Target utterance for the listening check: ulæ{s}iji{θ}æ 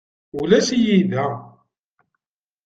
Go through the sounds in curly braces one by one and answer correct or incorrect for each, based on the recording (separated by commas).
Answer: correct, incorrect